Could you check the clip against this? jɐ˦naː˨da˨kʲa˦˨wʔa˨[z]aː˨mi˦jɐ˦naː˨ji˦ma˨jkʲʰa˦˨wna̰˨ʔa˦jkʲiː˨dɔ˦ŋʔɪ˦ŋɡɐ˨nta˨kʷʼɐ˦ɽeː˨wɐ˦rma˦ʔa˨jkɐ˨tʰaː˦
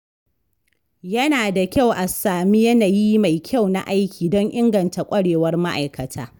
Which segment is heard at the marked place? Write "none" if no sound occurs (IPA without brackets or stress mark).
s